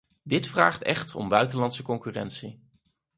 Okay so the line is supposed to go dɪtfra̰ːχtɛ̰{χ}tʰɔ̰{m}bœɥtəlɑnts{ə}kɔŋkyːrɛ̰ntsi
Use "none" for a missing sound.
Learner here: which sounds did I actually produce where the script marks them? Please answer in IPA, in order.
χ, m, ə

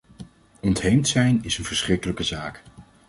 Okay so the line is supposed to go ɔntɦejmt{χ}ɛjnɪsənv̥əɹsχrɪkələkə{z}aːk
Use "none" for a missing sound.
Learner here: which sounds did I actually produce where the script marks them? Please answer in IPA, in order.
s, z

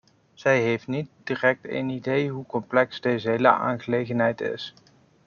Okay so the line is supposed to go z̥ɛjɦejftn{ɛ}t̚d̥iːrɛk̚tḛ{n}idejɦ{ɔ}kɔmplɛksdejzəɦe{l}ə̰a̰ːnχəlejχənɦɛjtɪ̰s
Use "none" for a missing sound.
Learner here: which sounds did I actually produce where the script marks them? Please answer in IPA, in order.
i, n, u, l

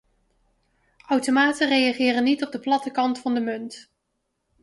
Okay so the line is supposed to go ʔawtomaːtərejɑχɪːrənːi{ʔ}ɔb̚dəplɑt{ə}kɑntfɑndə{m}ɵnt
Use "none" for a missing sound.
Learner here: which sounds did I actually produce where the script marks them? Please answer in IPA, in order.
t, ə, m

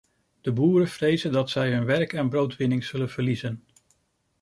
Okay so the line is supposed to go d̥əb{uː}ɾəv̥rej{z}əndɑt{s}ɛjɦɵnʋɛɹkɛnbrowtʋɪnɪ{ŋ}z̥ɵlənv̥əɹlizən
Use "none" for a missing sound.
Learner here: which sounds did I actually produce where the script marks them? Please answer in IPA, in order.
uː, z, s, ŋ

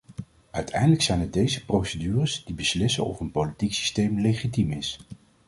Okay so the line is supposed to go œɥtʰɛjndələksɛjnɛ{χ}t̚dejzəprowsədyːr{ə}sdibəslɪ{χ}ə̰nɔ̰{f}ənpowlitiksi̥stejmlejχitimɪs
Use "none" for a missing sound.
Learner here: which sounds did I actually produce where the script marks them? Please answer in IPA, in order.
none, ə, s, f

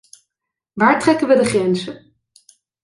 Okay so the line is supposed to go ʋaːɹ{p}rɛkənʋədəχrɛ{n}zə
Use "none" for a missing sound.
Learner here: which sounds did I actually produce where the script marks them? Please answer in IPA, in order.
t, n

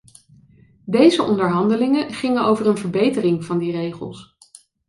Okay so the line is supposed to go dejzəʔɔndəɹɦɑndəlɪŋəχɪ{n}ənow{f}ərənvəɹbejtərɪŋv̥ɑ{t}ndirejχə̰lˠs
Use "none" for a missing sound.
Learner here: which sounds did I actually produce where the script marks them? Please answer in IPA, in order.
ŋ, v, none

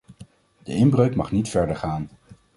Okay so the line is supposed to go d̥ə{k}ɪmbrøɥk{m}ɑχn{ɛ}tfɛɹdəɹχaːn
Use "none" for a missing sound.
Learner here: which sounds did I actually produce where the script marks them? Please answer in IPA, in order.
none, m, i

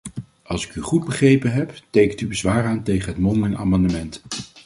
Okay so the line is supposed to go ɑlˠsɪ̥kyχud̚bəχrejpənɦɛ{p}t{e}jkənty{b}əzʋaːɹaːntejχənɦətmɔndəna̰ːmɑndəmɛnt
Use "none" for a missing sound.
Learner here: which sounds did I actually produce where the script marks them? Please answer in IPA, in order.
p, e, b

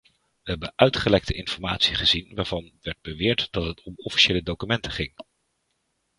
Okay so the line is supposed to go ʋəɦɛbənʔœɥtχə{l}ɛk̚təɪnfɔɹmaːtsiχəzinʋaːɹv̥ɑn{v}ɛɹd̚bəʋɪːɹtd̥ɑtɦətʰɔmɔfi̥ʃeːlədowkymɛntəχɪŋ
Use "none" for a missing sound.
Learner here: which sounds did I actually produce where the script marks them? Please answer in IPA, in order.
l, ʋ

